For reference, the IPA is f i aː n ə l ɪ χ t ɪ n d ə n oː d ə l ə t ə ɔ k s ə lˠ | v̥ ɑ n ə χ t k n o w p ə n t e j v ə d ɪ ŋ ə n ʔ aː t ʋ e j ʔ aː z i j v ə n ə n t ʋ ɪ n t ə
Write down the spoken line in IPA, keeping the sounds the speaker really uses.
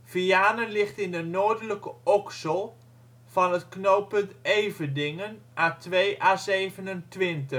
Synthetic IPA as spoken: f i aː n ə l ɪ χ t ɪ n d ə n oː d ə l ə k ə ɔ k s ə lˠ | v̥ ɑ n ə t k n o w p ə n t e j v ə d ɪ ŋ ə n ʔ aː t ʋ e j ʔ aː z e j v ə n ə n t ʋ ɪ n t ə